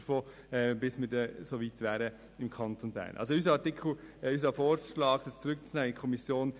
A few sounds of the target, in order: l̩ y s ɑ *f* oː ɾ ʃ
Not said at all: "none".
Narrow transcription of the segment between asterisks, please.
f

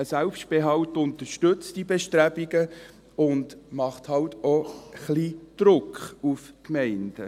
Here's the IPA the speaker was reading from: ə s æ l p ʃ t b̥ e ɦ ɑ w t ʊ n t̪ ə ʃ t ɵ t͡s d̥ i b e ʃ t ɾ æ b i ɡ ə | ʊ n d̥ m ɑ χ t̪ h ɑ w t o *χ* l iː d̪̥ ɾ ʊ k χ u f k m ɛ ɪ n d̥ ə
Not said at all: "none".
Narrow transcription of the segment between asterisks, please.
χ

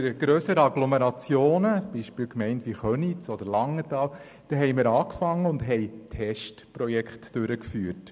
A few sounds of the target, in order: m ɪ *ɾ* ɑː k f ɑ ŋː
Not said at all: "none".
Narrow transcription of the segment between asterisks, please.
ɾ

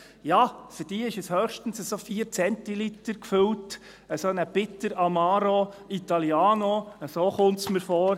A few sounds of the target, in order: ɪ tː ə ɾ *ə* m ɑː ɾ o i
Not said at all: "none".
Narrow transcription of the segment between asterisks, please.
ɑ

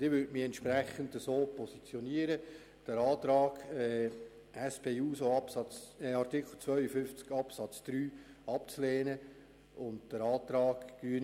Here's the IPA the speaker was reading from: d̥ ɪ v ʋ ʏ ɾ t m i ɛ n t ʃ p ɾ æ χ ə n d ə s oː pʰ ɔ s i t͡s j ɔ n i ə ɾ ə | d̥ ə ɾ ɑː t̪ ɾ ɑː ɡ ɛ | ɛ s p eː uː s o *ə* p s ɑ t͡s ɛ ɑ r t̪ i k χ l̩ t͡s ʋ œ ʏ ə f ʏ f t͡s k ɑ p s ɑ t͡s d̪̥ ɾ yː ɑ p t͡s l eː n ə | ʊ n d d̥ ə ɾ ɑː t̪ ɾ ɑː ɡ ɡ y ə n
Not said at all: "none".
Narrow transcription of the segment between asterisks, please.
ɑ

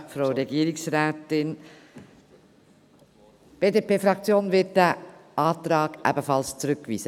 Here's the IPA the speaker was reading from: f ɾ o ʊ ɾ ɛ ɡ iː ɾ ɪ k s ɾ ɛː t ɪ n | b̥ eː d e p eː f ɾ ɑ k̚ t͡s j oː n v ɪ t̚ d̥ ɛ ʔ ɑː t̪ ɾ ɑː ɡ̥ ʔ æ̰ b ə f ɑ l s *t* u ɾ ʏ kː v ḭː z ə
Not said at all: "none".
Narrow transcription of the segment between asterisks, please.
t͡s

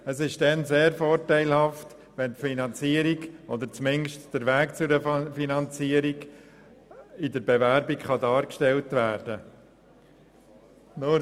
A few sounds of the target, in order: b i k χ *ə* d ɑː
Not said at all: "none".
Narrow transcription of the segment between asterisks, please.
ɑ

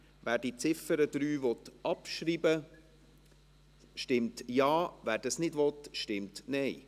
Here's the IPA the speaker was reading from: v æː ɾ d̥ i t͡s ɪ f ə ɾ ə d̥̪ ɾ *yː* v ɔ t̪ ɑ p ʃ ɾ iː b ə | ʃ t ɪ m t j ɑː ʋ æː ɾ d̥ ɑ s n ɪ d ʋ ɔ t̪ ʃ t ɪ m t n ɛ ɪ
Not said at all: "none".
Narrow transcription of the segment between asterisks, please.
yː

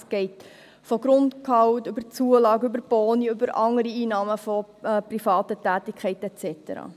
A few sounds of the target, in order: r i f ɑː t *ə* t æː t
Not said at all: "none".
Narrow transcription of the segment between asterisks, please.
ə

